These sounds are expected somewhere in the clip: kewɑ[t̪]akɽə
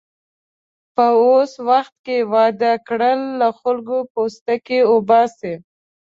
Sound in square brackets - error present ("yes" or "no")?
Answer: yes